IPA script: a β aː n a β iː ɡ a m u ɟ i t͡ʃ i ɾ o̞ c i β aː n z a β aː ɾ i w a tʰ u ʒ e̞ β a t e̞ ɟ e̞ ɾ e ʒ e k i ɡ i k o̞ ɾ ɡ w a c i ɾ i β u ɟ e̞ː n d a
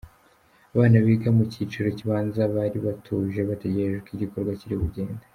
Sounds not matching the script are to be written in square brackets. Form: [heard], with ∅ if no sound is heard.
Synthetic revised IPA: a β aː n a β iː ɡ a m u [c] i t͡ʃ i ɾ o̞ c i β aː n z a β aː ɾ i [β] a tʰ u ʒ e̞ β a t e̞ ɟ e̞ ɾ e ʒ e k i [ɟ] i k o̞ ɾ ɡ w a c i ɾ i β u ɟ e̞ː n d a